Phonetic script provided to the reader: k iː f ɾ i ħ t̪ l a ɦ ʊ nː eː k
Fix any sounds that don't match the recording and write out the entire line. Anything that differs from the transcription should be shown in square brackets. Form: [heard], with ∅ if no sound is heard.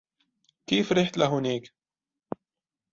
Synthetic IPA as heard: k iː f ɾ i ħ t̪ l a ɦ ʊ [n] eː k